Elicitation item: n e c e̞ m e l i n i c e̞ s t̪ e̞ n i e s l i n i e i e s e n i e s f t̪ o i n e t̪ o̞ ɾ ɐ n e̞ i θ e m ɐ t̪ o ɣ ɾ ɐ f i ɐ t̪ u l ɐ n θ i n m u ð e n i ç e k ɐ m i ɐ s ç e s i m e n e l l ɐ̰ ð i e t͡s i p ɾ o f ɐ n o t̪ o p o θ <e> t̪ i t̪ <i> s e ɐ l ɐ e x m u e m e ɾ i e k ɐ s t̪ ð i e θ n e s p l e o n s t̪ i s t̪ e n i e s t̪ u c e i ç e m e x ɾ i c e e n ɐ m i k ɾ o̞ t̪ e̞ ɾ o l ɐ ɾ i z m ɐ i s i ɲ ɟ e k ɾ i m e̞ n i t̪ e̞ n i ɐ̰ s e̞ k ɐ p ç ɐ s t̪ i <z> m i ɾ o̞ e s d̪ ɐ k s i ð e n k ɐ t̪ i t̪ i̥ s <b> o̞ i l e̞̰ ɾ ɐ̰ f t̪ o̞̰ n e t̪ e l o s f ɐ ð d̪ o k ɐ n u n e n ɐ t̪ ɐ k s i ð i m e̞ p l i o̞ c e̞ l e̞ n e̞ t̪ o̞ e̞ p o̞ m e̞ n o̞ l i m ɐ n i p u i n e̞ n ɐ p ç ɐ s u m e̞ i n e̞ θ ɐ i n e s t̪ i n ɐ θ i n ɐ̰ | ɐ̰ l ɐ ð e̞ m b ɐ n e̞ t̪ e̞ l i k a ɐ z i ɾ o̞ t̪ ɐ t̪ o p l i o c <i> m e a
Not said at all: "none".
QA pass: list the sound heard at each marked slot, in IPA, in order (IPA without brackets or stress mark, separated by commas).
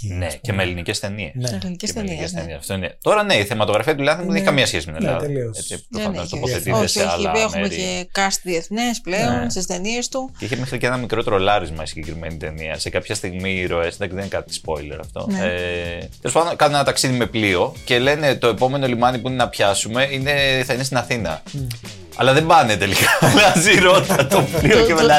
e, e, ɣ, p, e